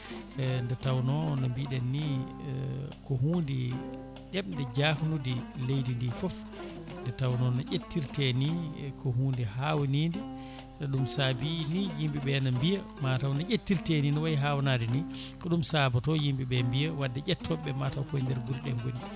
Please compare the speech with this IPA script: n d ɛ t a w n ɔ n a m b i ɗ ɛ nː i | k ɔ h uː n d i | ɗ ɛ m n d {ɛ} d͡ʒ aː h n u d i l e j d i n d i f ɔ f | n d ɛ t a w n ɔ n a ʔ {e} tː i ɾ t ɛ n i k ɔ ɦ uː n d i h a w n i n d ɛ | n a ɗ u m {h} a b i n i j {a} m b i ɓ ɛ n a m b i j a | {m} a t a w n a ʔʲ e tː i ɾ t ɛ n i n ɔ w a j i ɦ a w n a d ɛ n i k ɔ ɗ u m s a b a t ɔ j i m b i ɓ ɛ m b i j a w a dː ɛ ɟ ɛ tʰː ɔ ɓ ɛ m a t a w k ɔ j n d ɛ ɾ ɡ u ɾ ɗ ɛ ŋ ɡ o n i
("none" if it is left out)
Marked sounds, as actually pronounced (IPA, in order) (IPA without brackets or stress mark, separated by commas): ɛ, e, s, i, m